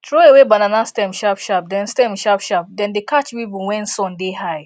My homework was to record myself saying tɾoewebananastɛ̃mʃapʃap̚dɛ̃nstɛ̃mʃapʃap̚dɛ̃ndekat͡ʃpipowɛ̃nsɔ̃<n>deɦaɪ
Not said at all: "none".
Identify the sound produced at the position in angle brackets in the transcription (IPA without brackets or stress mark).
n